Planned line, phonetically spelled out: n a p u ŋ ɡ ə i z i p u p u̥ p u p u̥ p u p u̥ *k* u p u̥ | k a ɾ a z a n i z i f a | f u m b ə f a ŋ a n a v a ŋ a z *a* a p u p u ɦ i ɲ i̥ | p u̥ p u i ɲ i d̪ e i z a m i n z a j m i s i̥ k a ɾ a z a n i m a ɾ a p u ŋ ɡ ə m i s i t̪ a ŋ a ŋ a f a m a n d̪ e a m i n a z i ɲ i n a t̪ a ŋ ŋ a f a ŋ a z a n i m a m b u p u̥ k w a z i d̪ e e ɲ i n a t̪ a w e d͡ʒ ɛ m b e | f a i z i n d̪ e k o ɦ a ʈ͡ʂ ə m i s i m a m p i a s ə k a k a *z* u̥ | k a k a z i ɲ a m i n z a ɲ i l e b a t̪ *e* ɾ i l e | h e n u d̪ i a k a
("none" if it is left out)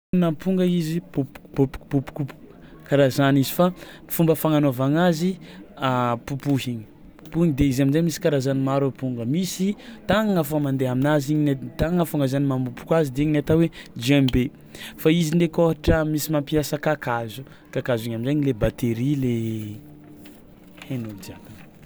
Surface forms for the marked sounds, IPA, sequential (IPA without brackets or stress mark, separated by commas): k, i, z, e